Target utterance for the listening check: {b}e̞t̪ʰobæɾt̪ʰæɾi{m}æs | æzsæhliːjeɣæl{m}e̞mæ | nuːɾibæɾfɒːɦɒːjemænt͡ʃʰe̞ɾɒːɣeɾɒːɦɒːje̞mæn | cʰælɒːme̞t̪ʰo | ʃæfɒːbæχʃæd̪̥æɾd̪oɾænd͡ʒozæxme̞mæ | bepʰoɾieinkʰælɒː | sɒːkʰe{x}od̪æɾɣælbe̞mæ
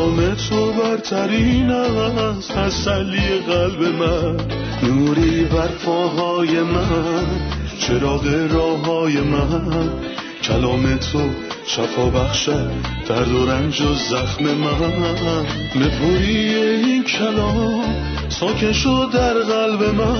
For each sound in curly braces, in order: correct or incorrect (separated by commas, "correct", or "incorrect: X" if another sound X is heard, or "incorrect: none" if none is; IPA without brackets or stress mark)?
incorrect: m, incorrect: n, incorrect: b, incorrect: ʃ